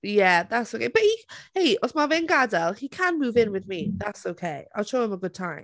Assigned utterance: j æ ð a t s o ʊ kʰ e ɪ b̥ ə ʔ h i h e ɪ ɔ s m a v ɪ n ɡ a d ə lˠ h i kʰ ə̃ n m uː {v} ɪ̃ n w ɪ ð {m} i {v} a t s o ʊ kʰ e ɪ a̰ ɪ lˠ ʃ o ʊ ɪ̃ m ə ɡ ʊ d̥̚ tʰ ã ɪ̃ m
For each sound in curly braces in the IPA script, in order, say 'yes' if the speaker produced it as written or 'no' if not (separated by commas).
yes, yes, no